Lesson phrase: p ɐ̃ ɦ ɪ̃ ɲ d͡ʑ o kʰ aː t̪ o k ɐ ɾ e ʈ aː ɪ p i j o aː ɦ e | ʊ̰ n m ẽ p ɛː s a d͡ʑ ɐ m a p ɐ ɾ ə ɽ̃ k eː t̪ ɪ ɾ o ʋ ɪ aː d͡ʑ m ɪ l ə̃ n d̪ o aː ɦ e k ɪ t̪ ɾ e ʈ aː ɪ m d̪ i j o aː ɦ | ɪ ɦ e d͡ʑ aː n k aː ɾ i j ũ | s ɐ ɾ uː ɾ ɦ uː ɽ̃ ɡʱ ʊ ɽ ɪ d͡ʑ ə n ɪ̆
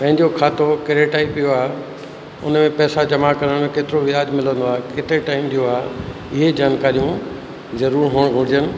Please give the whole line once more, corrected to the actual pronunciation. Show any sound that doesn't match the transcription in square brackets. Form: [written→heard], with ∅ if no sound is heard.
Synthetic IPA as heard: p ɐ̃ ɦ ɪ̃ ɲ d͡ʑ o kʰ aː t̪ o k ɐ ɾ e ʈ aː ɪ p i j o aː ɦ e | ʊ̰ n m ẽ p ɛː s a d͡ʑ ɐ m a [p→k] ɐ ɾ ə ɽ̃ k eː t̪ ɪ ɾ o ʋ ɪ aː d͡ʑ m ɪ l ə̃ n d̪ o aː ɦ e k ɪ t̪ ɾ e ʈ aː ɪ m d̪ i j o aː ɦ | ɪ ɦ e d͡ʑ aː n k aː ɾ i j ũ | [s→z] ɐ ɾ uː ɾ ɦ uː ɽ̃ ɡʱ ʊ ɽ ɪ d͡ʑ ə n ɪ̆